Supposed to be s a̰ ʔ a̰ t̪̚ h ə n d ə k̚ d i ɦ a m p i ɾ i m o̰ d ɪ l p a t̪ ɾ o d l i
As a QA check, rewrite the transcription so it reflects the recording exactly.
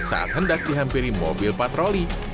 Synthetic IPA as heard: s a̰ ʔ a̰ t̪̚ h ə n d a k̚ d i ɦ a m p i ɾ i m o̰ b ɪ l p a t̪ ɾ o l i